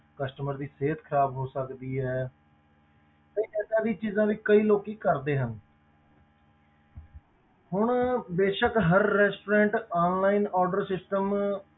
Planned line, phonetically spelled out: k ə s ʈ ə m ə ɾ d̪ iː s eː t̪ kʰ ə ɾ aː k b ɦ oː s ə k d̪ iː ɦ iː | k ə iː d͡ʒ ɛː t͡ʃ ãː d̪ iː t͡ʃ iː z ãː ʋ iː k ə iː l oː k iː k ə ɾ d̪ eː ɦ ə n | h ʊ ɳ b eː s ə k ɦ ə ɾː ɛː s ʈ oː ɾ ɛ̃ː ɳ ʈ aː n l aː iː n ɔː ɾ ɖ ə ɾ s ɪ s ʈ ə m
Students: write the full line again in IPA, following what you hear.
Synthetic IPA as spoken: k ə s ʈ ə m ə ɾ d̪ iː s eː t̪ kʰ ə ɾ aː b ɦ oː s ə k d̪ iː ɦ ɛː | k ə iː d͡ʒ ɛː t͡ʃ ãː d̪ iː t͡ʃ iː z ãː ʋ iː k ə iː l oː k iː k ə ɾ d̪ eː ɦ ə n | h ʊ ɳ b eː ʃ ə k ɦ ə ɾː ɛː s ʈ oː ɾ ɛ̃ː ɳ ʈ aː n l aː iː n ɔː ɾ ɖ ə ɾ s ɪ s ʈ ə m